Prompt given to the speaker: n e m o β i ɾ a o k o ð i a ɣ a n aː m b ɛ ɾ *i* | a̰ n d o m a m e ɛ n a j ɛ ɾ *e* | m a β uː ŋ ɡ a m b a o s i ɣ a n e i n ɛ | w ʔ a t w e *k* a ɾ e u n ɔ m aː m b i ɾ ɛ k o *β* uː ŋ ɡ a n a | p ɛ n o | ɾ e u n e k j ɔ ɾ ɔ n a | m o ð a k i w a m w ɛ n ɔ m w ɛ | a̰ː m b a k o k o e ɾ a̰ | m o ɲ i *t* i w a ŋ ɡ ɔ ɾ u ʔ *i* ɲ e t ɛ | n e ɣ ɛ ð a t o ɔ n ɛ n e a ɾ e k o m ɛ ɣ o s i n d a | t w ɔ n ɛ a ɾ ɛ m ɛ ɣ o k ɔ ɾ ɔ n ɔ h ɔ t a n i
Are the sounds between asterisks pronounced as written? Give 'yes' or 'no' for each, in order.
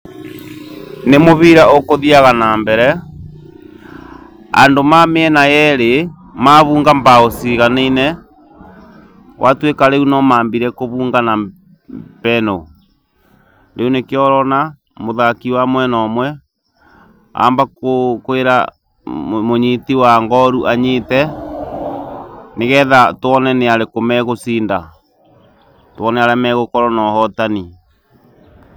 no, yes, yes, yes, yes, no

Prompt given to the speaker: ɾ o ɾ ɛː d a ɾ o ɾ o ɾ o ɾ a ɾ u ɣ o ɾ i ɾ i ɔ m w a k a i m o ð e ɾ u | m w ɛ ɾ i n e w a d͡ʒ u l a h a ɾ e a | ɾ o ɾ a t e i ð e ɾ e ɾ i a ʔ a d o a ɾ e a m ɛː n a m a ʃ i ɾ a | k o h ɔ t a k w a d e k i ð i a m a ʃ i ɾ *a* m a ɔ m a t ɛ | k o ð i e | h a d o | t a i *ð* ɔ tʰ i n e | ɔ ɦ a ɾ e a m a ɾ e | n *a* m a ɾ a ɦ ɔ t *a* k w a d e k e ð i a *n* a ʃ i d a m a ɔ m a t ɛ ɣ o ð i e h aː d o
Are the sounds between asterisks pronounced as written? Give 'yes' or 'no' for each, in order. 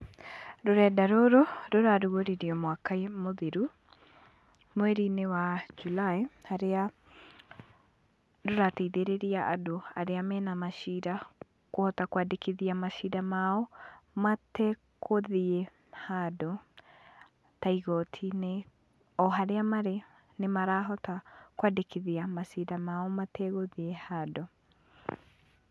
yes, no, no, yes, no

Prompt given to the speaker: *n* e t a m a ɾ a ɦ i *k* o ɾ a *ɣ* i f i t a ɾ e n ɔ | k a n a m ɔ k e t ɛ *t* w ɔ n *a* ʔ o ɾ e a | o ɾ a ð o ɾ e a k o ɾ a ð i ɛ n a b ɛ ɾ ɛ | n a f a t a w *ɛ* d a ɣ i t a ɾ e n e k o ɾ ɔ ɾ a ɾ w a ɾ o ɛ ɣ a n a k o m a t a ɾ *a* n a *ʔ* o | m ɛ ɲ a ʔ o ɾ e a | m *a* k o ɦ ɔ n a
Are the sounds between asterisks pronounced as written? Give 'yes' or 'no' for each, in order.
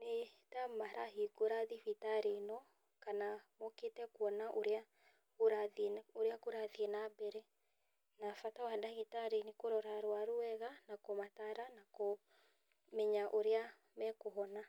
yes, no, no, no, yes, no, yes, no, no

